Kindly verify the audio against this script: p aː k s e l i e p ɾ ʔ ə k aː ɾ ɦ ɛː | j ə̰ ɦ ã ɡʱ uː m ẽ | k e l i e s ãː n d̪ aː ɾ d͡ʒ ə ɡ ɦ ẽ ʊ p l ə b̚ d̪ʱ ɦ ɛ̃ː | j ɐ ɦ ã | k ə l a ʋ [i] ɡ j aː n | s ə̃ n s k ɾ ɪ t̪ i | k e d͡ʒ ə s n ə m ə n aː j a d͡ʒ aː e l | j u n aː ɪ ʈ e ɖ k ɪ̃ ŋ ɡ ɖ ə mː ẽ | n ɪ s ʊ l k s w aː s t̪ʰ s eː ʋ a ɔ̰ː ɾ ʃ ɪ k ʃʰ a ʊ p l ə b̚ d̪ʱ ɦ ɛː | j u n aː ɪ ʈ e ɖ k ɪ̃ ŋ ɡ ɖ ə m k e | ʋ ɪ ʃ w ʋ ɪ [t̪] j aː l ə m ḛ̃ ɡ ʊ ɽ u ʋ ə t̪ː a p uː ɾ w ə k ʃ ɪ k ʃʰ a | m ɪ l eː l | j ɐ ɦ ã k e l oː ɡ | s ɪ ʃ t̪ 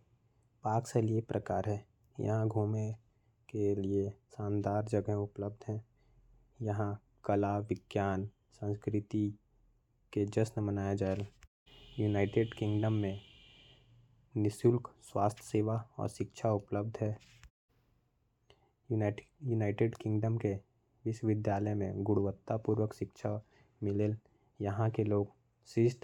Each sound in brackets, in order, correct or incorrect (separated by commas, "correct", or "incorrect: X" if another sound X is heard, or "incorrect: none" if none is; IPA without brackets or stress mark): incorrect: ɪ, incorrect: d̪